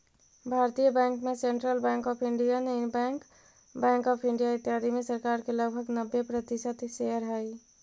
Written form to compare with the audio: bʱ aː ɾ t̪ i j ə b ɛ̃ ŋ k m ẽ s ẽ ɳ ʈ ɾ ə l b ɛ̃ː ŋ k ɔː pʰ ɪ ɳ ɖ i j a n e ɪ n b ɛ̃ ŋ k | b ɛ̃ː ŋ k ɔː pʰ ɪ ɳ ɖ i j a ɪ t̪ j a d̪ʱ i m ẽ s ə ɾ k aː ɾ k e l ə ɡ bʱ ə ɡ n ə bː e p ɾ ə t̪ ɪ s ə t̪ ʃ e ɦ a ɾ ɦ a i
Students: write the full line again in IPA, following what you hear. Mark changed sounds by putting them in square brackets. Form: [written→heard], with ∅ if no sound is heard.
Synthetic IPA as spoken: bʱ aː ɾ t̪ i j ə b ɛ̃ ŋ k m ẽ s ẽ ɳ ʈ ɾ ə l b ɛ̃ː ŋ k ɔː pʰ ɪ ɳ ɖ i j a n e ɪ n b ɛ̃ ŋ k | b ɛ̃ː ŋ k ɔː pʰ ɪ ɳ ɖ i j a ɪ t̪ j a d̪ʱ i m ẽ s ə ɾ k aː ɾ k e l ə ɡ bʱ ə ɡ n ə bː e p ɾ ə t̪ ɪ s ə t̪ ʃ e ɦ [a→ə] ɾ ɦ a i